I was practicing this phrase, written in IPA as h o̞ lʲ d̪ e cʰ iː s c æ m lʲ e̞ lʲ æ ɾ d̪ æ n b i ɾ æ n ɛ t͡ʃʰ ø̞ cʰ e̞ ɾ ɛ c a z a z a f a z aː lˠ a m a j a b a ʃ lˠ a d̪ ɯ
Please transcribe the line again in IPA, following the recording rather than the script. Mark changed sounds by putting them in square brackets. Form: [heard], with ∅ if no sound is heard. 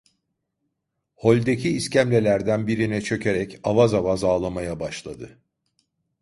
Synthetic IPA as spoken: h o̞ lʲ d̪ e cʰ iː s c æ m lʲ e̞ lʲ æ ɾ d̪ æ n b i ɾ [i] n ɛ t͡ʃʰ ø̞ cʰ e̞ ɾ ɛ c a [v] a z a [v] a z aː lˠ a m a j a b a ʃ lˠ a d̪ ɯ